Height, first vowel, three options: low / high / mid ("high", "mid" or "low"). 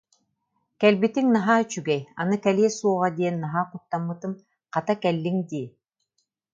mid